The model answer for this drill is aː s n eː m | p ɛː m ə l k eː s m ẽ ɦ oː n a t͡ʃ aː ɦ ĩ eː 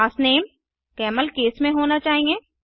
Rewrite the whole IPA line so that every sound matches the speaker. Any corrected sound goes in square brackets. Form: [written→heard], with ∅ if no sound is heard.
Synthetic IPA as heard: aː s n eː m | [p→k] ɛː m ə l k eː s m ẽ ɦ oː n a t͡ʃ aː ɦ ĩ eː